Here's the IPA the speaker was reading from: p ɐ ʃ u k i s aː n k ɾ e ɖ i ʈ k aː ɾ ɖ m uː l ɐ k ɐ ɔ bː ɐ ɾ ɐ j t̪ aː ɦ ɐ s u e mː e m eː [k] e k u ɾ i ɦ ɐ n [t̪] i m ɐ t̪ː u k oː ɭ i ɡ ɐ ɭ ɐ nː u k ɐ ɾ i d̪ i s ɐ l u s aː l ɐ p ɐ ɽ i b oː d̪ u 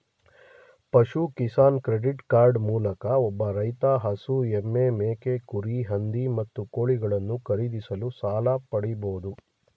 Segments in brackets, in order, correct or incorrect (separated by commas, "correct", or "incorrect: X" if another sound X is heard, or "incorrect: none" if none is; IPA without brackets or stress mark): correct, incorrect: d̪